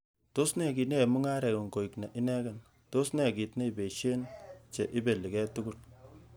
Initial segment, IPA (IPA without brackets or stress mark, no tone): t